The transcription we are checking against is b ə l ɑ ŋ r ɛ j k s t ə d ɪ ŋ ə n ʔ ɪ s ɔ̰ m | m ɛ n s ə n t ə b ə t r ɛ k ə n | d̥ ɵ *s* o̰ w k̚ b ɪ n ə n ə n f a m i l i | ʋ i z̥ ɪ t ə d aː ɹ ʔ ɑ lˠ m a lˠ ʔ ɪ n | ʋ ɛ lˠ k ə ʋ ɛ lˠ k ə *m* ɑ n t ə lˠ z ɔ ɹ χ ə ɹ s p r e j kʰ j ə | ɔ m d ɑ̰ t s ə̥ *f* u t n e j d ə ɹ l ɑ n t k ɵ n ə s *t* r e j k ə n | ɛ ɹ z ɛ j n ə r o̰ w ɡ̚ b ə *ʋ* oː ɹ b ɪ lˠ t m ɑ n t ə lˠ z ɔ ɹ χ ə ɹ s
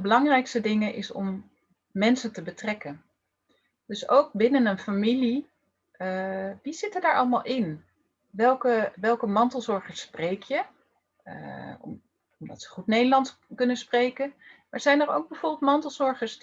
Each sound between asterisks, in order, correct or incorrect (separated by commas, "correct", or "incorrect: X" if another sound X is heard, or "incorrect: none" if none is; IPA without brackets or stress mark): correct, correct, incorrect: χ, incorrect: p, incorrect: v